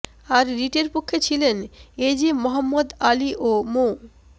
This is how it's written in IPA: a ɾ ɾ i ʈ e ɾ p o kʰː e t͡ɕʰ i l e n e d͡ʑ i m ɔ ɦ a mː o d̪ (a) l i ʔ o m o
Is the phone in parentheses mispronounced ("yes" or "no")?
no